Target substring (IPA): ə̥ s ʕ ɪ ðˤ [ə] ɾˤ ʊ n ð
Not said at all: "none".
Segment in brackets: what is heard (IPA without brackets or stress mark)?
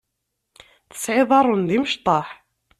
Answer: ɑ